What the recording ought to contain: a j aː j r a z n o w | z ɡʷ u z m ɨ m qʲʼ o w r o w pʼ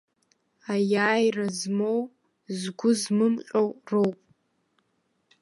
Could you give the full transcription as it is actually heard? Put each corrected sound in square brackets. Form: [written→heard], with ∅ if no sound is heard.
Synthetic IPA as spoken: a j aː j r a z [n→m] o w | z ɡʷ [u→ʊ] z m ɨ m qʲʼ o w r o w pʼ